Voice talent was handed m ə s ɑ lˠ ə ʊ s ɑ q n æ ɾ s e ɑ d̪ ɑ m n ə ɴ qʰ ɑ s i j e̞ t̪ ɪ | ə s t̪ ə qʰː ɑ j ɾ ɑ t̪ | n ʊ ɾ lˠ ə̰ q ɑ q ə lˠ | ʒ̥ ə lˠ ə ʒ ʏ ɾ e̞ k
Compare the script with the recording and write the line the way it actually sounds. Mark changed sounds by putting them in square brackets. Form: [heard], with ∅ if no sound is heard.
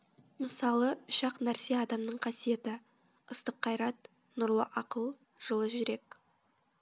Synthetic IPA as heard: m ə s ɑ lˠ ə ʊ [ʃ] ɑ q n æ ɾ s e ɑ d̪ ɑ m n ə ɴ qʰ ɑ s i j e̞ t̪ ɪ | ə s t̪ ə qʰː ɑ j ɾ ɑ t̪ | n ʊ ɾ lˠ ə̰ [ʔ] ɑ q ə lˠ | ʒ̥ ə lˠ ə ʒ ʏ ɾ e̞ k